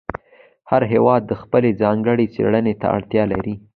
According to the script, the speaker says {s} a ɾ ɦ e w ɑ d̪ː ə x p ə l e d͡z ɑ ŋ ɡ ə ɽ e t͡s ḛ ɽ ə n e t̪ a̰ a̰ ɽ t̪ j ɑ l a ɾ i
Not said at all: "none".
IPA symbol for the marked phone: h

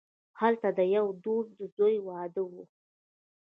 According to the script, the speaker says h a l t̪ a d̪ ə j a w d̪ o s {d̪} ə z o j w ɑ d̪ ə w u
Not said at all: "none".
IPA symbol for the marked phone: d̪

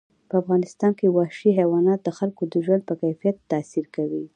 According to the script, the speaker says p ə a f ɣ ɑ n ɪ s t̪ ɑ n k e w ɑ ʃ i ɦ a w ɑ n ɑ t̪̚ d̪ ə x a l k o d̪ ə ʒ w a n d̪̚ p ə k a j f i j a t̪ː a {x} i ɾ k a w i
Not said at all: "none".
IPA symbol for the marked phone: s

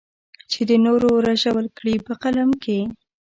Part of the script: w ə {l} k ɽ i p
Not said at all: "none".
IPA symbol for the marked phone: l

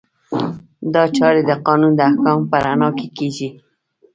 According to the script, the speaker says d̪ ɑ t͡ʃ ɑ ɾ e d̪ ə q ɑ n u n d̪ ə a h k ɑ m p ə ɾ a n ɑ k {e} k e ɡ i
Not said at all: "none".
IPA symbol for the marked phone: e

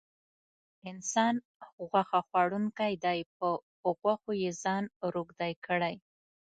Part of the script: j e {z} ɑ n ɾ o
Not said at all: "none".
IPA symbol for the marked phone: z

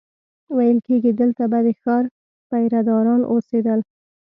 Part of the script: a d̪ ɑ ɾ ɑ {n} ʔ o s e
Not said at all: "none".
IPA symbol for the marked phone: n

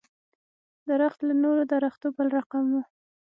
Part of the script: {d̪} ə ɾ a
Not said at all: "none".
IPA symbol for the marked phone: d̪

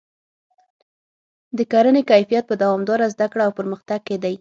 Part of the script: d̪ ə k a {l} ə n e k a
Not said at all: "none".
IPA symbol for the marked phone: ɾ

